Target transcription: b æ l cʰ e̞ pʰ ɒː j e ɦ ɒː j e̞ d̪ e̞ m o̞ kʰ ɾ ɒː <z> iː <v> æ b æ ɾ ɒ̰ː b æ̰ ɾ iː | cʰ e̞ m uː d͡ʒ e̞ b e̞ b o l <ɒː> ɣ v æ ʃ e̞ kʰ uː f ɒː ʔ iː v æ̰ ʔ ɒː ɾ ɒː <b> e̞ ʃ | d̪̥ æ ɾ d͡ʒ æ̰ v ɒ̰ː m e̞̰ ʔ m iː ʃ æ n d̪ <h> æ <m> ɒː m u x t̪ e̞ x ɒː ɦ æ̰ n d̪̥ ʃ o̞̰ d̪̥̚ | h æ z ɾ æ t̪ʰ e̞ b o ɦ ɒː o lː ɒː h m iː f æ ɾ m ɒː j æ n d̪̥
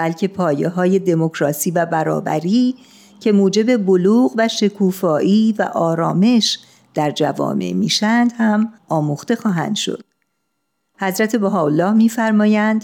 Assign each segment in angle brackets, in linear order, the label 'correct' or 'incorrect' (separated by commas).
incorrect, correct, incorrect, incorrect, correct, correct